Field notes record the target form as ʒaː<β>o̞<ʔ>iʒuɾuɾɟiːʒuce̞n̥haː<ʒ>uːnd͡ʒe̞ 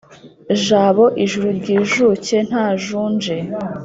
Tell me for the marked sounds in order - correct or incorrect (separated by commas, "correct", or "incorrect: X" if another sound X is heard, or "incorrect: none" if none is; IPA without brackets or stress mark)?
correct, correct, correct